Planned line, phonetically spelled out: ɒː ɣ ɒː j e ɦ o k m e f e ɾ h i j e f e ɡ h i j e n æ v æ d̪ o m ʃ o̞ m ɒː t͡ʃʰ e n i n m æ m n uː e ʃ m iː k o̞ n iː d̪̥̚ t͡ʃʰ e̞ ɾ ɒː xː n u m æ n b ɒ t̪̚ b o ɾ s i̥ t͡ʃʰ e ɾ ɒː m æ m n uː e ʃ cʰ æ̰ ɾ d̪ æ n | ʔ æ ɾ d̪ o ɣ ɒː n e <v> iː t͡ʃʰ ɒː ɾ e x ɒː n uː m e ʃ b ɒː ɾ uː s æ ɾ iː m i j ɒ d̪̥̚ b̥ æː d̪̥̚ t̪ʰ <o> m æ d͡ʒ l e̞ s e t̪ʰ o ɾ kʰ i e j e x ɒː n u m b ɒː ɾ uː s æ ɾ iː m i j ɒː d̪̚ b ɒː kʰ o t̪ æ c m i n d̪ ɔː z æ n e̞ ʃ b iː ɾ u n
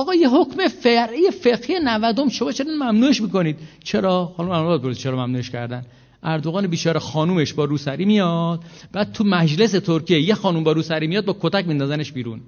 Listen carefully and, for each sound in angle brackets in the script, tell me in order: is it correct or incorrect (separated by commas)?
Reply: incorrect, incorrect